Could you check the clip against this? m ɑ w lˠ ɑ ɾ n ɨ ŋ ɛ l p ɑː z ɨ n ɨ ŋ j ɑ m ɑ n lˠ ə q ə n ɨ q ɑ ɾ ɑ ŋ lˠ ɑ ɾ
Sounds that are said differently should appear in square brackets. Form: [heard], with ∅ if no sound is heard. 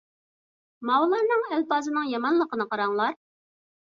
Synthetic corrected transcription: m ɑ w lˠ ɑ ɾ n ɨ ŋ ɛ l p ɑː z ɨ n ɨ ŋ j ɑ m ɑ n lˠ ə q ə n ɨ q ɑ ɾ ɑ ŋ lˠ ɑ ɾ